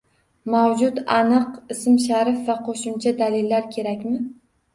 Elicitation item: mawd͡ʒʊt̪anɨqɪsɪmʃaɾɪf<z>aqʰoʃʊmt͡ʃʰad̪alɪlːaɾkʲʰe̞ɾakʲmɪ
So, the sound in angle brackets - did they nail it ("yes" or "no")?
no